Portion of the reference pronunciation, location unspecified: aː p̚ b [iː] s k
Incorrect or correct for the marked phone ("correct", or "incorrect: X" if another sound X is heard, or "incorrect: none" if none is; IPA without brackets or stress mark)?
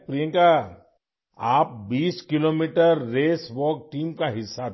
correct